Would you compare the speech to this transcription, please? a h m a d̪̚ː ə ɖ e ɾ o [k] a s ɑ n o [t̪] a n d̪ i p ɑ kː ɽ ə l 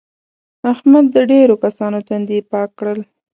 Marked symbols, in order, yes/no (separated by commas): yes, yes